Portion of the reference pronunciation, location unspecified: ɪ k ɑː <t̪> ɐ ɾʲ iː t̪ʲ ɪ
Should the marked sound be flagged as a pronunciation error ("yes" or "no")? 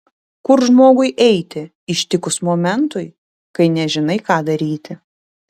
yes